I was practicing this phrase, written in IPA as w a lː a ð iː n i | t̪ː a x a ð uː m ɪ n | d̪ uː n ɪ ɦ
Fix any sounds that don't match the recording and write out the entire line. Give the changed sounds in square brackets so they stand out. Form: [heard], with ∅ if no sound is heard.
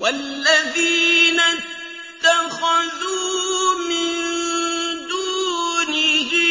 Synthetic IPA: w a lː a ð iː n [a] | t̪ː a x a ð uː m ɪ n | d̪ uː n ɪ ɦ

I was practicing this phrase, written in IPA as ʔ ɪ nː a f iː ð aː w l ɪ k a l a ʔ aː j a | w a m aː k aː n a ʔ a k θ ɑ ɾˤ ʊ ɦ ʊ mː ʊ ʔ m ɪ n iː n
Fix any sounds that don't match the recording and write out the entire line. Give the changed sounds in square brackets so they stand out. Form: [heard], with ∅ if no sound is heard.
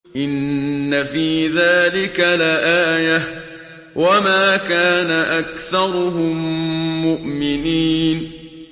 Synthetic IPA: ʔ ɪ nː a f iː ð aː [∅] l ɪ k a l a ʔ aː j a | w a m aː k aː n a ʔ a k θ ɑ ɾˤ ʊ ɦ ʊ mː ʊ ʔ m ɪ n iː n

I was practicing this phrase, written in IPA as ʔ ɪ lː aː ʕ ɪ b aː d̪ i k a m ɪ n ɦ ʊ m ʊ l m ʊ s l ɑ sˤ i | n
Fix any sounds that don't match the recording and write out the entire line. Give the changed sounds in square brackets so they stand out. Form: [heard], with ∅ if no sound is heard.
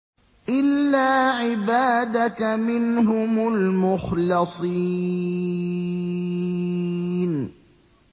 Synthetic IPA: ʔ ɪ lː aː ʕ ɪ b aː d̪ [a] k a m ɪ n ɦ ʊ m ʊ l m ʊ [x] l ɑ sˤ i | n

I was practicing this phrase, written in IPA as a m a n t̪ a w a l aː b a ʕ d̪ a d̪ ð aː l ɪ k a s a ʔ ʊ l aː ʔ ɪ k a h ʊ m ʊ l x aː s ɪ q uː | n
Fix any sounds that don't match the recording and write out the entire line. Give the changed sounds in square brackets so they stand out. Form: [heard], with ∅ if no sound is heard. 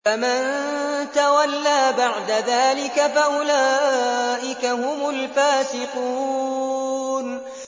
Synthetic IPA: a m a n t̪ a w a [lː] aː b a ʕ d̪ a [∅] ð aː l ɪ k a [f] a ʔ ʊ l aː ʔ ɪ k a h ʊ m ʊ l [f] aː s ɪ q uː | n

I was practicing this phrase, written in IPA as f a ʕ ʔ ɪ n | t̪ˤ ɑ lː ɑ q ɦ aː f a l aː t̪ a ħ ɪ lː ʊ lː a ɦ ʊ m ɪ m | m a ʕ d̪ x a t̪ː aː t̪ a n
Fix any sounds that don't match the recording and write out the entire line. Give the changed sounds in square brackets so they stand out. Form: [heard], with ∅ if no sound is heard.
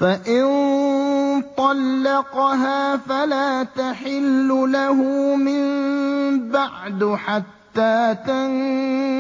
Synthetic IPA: f a [∅] ʔ ɪ n | t̪ˤ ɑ lː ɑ q ɦ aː f a l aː t̪ a ħ ɪ lː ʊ [l] a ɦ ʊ m ɪ m | [b] a ʕ d̪ [ħ] a t̪ː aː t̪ a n

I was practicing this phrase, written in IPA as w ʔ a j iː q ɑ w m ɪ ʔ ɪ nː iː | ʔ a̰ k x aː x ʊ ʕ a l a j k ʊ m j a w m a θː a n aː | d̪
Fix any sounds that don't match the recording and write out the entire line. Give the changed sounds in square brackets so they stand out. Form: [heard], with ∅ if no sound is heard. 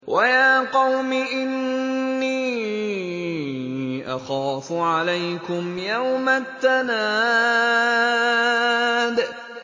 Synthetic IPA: w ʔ a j [aː] q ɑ w m ɪ ʔ ɪ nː iː | ʔ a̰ [∅] x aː [f] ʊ ʕ a l a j k ʊ m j a w m a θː a n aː | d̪

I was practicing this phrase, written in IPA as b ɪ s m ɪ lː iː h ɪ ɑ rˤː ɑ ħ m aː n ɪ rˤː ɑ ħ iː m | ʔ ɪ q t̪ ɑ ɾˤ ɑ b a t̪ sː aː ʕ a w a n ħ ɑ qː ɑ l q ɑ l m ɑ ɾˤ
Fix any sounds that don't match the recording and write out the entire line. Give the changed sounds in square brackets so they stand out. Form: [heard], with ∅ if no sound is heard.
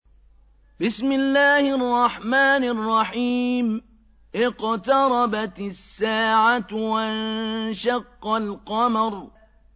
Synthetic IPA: b ɪ s m ɪ lː [aː] h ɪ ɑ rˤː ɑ ħ m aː n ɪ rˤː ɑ ħ iː m | ʔ ɪ q t̪ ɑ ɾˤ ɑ b a t̪ sː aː ʕ a w a n [ʃ] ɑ qː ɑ l q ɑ [∅] m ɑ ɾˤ

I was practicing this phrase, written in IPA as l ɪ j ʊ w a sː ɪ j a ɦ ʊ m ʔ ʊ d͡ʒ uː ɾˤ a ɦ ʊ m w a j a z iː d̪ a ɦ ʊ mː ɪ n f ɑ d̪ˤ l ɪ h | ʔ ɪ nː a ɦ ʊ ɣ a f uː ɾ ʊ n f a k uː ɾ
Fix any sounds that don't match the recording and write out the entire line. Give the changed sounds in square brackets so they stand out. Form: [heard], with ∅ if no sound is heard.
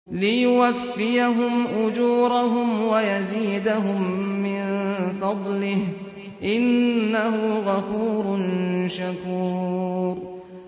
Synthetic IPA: l ɪ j ʊ w a [fː] ɪ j a ɦ ʊ m ʔ ʊ d͡ʒ uː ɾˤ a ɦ ʊ m w a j a z iː d̪ a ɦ ʊ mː ɪ n f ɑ d̪ˤ l ɪ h | ʔ ɪ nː a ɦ ʊ ɣ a f uː ɾ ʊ n [ʃ] a k uː ɾ

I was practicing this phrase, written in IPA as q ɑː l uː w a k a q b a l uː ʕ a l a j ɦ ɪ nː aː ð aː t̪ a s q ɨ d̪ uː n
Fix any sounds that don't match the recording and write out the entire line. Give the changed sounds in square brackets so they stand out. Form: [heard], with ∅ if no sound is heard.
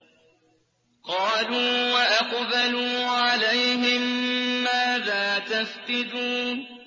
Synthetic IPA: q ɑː l uː w a [ʔ] a q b a l uː ʕ a l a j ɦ ɪ [mː] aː ð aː t̪ a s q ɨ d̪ uː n

